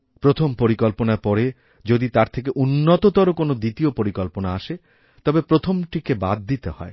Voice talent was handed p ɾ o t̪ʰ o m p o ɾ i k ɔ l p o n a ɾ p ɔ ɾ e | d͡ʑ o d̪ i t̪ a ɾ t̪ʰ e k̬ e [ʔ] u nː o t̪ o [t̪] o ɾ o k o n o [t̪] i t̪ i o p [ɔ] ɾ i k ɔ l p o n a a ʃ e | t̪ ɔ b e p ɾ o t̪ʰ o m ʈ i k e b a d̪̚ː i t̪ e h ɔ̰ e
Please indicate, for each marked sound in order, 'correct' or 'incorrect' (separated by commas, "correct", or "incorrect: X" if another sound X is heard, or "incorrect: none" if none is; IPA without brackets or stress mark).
correct, correct, incorrect: d̪, incorrect: o